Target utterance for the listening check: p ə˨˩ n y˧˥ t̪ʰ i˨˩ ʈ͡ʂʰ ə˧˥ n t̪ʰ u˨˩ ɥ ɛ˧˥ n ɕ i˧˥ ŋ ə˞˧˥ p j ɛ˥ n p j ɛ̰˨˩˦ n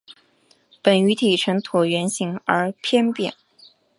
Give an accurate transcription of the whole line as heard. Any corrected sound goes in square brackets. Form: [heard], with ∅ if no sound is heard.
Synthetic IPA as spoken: p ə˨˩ n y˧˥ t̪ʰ i˨˩ ʈ͡ʂʰ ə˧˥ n t̪ʰ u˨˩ ɥ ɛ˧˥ n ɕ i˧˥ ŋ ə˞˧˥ [pʰ] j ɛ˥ n p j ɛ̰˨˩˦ n